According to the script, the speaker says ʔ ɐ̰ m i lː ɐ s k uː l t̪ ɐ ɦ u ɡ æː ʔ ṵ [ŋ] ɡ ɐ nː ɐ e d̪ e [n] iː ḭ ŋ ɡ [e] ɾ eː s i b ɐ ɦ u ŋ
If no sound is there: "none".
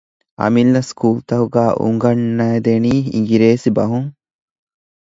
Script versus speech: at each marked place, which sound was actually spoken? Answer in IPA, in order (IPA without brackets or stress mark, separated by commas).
ŋ, n, i